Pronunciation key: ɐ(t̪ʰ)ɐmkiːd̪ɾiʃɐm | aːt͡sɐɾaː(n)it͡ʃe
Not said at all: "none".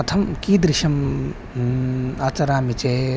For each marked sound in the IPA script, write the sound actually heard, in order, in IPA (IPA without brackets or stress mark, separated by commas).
t̪ʰ, m